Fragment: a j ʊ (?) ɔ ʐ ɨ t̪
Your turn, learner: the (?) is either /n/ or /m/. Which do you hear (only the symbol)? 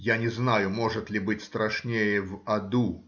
m